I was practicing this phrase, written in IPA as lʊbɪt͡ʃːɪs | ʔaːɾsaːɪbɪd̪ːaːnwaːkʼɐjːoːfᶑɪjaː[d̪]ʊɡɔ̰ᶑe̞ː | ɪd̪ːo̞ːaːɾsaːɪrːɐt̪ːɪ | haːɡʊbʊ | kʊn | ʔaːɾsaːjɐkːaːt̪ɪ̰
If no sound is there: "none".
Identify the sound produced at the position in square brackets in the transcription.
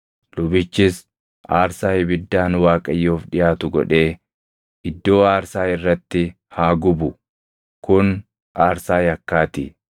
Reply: t̪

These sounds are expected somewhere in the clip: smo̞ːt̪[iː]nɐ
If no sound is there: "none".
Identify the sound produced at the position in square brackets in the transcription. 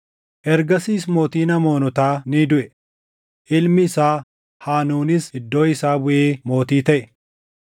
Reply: iː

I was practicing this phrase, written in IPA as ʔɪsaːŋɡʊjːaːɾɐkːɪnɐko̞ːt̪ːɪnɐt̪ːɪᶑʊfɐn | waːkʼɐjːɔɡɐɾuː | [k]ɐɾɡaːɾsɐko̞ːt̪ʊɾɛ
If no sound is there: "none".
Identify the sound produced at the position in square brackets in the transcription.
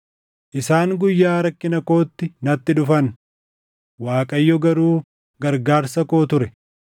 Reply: ɡ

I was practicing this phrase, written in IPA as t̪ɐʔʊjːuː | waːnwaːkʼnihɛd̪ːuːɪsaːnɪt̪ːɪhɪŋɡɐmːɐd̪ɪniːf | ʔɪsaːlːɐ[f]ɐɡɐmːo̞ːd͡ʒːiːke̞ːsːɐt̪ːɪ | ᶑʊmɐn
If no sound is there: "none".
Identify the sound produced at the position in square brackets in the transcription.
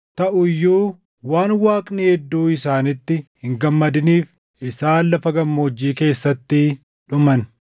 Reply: f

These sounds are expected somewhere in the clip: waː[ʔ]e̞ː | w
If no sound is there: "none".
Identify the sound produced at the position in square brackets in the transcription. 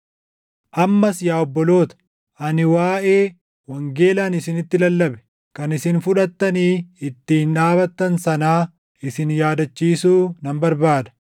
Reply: ʔ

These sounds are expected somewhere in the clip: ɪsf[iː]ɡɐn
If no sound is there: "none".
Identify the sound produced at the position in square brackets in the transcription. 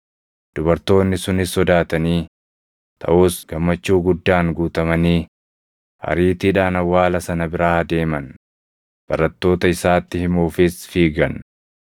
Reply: iː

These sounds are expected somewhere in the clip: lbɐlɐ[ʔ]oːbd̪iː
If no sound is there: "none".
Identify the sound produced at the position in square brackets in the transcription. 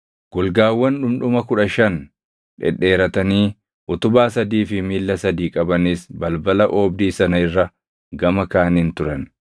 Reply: ʔ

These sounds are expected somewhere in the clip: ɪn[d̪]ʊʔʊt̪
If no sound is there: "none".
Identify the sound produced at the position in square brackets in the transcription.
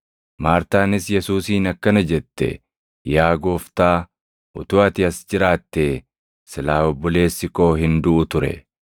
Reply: d̪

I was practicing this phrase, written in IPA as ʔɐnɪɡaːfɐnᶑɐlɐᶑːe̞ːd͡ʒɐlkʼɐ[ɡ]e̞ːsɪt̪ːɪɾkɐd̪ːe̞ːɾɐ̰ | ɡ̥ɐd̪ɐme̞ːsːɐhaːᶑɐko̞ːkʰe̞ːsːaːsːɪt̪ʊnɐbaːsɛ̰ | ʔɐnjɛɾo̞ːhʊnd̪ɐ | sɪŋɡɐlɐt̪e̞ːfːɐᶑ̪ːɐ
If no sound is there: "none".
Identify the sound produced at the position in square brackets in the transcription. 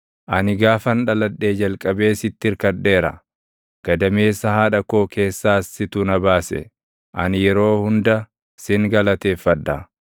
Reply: b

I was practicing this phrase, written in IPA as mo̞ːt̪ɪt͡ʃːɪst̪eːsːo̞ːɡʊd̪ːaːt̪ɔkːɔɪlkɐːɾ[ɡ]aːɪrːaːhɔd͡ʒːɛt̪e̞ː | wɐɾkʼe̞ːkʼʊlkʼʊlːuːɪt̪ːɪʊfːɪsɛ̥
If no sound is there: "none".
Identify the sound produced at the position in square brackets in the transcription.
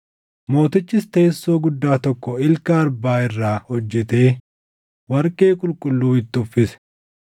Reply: b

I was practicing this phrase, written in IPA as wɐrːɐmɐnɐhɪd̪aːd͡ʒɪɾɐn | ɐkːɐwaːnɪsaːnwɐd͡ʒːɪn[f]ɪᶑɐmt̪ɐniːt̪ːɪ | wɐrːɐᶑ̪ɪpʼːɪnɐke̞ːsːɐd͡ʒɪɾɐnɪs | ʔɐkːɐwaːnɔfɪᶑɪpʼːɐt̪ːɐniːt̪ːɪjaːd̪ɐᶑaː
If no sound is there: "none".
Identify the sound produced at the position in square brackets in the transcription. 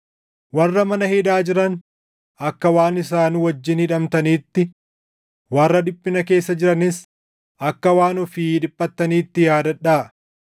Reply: h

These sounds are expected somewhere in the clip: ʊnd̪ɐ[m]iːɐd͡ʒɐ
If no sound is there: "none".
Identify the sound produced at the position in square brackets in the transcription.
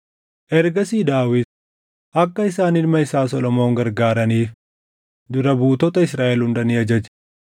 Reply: n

